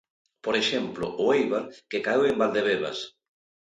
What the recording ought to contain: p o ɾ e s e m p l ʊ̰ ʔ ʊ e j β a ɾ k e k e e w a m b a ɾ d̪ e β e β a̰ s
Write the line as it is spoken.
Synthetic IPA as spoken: p o ɾ e ʃ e m p l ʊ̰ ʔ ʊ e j β a ɾ k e k a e w e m b a l d̪ e β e β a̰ s